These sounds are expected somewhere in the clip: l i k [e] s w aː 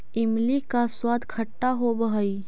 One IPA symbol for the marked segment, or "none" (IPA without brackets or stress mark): a